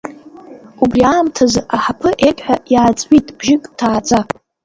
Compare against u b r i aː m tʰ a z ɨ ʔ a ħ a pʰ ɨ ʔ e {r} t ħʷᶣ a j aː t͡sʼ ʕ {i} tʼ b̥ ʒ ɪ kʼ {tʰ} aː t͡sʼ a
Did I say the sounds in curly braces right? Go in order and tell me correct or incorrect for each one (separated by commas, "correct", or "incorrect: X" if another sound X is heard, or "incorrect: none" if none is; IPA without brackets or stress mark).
incorrect: none, correct, correct